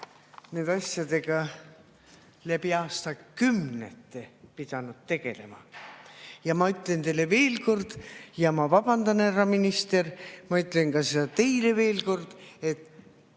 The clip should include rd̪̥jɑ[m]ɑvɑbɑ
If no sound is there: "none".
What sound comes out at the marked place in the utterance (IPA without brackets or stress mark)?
m